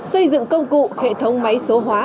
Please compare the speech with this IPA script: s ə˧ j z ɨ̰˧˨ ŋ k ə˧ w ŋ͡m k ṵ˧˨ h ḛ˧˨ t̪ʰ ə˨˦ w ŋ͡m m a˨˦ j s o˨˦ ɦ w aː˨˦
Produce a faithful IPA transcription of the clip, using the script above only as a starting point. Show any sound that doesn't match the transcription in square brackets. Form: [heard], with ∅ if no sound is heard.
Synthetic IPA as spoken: s ə˧ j z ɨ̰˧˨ ŋ k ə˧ w ŋ͡m k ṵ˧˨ h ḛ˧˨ t̪ʰ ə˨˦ w ŋ͡m m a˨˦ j s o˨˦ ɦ w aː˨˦